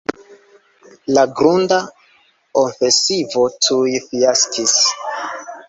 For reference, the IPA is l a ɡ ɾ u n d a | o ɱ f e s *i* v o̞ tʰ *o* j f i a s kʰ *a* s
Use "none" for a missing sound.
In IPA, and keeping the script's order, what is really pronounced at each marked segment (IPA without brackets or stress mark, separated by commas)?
i, u, i